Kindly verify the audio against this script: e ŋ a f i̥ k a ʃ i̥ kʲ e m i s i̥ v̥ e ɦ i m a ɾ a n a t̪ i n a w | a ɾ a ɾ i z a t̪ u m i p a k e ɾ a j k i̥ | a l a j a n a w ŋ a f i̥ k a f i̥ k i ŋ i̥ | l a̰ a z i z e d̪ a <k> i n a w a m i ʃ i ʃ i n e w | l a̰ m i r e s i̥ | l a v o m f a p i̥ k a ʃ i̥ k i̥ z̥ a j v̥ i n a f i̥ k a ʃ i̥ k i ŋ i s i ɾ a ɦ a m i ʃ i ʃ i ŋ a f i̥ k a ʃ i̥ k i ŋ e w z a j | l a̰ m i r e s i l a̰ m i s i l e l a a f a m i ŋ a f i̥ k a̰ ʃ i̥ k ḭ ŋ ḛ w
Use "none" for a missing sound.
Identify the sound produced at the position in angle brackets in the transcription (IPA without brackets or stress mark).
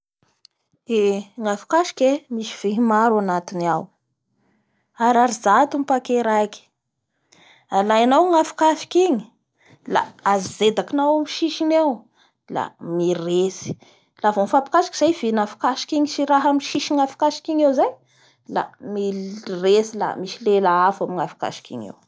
k